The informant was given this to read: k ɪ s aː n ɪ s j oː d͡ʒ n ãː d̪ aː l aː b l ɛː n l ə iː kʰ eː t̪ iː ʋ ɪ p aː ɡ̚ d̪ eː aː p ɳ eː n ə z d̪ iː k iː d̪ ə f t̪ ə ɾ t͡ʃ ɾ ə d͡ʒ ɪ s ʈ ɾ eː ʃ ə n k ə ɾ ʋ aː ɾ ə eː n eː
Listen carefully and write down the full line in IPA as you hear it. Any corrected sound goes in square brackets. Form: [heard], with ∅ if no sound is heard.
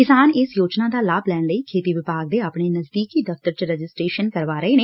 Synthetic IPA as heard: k ɪ s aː n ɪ s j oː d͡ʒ n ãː d̪ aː l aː b l ɛː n l ə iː kʰ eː t̪ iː ʋ ɪ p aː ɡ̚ d̪ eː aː p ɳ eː n ə z d̪ iː k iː d̪ ə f t̪ ə ɾ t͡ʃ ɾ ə d͡ʒ ɪ s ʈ ɾ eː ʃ ə n k ə ɾ ʋ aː ɾ ə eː n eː